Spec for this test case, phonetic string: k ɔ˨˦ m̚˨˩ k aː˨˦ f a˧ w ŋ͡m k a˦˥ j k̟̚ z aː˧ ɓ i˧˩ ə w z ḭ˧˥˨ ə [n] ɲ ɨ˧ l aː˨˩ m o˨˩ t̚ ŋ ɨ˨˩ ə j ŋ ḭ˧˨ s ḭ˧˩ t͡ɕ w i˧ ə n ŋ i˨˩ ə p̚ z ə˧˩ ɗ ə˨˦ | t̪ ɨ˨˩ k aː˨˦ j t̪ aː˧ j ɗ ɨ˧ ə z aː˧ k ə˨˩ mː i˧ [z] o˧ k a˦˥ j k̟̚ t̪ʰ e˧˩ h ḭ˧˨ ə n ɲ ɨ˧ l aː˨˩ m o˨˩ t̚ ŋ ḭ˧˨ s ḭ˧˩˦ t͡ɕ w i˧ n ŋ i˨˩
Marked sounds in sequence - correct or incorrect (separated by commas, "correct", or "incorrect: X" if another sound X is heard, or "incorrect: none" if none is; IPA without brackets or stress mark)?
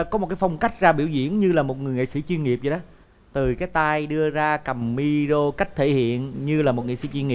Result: correct, correct